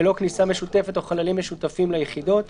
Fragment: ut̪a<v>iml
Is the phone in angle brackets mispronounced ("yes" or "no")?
yes